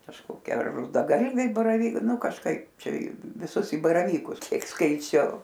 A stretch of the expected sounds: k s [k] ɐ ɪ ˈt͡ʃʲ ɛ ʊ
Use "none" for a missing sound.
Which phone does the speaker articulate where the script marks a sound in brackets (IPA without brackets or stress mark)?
k